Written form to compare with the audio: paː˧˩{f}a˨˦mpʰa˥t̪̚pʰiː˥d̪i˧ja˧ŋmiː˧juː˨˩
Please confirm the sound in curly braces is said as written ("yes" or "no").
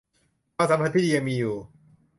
no